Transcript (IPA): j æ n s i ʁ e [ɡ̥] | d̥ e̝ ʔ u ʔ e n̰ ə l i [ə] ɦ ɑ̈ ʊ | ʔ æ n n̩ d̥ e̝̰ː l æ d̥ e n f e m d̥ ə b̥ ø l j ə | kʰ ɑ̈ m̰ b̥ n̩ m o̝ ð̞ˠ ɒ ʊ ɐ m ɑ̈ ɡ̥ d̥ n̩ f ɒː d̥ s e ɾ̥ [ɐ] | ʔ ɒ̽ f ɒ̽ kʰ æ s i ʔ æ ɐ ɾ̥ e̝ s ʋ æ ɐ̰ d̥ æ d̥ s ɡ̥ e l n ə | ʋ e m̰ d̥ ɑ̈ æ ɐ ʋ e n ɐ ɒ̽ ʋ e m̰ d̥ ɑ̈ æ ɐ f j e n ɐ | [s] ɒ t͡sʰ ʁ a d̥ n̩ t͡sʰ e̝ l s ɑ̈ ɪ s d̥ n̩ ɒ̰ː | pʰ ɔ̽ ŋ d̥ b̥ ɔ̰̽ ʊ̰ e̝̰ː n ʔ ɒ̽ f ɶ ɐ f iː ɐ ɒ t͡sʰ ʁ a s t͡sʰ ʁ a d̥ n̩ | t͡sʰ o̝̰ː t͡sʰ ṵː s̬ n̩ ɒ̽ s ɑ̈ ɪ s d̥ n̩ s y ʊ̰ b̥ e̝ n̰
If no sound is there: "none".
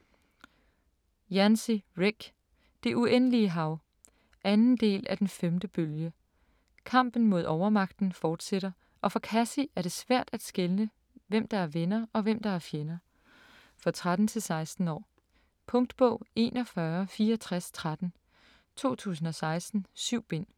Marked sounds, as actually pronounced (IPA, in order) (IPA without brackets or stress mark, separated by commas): ɡ̥, ə, ɐ, f